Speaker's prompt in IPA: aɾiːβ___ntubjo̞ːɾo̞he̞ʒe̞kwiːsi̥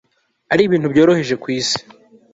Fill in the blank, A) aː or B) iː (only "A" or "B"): B